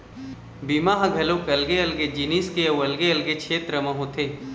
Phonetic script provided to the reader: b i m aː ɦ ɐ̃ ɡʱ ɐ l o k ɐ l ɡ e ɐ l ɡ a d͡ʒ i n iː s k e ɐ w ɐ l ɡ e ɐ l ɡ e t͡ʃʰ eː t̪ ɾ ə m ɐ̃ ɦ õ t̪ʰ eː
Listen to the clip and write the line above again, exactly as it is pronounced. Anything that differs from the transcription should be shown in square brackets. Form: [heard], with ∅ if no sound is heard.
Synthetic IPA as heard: b i m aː ɦ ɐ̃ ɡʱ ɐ l o k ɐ l ɡ e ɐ l ɡ [e] d͡ʒ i n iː s k e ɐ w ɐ l ɡ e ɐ l ɡ e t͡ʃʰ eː t̪ ɾ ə m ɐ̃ ɦ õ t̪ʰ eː